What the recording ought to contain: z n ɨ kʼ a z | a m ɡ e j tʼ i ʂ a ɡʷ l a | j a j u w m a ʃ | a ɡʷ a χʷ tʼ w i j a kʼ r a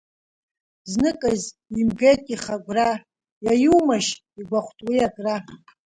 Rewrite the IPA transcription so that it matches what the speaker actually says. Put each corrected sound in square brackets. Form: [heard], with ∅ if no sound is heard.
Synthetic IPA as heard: z n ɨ kʼ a z | [i] m ɡ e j tʼ i [χ] a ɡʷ [r] a | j a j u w m a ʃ | [i] ɡʷ a χʷ tʼ w i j a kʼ r a